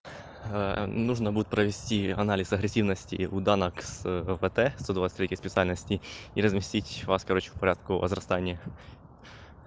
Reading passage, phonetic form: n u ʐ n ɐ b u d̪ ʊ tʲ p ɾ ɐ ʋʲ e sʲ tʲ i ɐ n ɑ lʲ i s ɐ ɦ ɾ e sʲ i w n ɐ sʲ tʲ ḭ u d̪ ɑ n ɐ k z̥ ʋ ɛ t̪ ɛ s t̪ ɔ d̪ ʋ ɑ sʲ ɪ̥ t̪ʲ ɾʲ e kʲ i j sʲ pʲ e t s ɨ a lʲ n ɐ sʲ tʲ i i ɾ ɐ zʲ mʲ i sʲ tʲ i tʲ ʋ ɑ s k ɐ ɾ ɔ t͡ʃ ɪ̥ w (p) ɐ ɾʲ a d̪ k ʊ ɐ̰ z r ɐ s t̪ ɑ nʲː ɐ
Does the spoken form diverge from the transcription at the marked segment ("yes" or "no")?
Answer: no